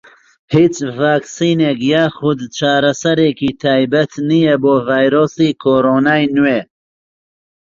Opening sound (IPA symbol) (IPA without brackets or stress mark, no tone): h